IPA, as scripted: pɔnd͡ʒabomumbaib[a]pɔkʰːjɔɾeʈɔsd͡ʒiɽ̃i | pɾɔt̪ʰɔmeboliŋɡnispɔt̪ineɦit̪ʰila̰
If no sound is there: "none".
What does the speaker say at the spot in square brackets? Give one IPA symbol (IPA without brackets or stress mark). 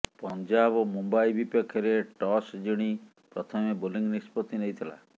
i